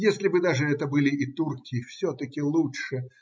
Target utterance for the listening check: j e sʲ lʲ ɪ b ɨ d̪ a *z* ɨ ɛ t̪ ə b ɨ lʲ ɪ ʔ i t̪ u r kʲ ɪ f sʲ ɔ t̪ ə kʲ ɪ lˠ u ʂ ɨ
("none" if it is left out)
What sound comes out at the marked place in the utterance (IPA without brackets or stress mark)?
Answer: ʐ